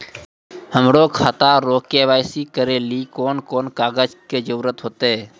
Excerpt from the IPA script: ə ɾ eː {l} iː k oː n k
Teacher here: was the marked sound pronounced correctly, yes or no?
yes